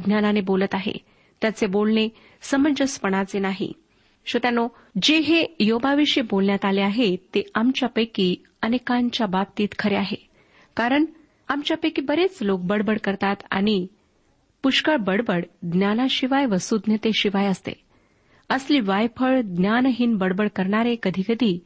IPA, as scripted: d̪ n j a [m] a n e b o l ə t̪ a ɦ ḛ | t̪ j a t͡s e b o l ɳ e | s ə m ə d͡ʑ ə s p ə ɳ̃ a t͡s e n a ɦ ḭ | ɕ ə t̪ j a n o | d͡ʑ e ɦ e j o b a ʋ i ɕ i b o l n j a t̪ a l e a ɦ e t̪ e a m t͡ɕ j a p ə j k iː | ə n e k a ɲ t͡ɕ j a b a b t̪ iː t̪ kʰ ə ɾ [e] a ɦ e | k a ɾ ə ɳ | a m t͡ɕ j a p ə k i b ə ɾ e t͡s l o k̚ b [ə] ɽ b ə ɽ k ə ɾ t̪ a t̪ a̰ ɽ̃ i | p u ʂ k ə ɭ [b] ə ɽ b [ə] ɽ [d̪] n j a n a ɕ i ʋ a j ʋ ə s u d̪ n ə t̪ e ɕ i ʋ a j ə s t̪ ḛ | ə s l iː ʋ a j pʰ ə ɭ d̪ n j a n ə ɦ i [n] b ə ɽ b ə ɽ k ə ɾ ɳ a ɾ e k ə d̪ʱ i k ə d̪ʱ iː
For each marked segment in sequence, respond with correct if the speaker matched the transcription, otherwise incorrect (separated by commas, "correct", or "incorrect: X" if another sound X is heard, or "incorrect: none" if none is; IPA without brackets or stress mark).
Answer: incorrect: n, correct, correct, correct, correct, correct, correct